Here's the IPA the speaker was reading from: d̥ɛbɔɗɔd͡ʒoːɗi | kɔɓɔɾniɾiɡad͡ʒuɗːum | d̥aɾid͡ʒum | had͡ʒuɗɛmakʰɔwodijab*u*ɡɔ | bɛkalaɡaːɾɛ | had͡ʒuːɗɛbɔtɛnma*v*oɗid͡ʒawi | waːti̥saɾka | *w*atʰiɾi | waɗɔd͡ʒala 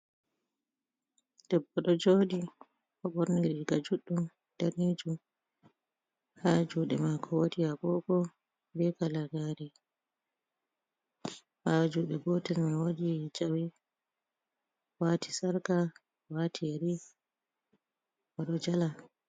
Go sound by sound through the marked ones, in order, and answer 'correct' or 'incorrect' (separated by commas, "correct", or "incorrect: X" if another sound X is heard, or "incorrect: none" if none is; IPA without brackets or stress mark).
incorrect: ɔ, incorrect: w, correct